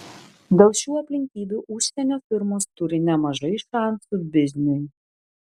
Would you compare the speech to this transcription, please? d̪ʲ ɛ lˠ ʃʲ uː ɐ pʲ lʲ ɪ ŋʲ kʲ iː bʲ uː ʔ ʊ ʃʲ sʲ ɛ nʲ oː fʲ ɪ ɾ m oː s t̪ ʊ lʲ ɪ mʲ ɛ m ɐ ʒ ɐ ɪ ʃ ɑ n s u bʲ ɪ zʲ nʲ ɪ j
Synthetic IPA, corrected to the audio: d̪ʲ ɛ lˠ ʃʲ uː ɐ pʲ lʲ ɪ ŋʲ kʲ iː bʲ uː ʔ ʊ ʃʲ sʲ ɛ nʲ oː fʲ ɪ ɾ m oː s t̪ ʊ ɾʲ ɪ nʲ ɛ m ɐ ʒ ɐ ɪ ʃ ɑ n s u bʲ ɪ zʲ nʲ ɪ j